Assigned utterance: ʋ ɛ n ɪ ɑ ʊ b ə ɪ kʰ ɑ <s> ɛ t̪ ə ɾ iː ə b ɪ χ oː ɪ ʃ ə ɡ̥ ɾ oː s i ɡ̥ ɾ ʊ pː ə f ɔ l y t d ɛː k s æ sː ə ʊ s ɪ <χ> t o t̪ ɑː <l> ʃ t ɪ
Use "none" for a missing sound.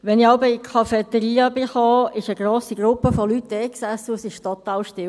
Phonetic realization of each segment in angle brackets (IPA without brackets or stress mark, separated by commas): f, ʃ, l